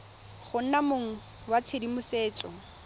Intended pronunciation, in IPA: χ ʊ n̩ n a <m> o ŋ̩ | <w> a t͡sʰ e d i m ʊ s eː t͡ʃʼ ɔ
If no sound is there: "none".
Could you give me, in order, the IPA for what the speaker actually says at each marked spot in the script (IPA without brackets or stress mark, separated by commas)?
m, w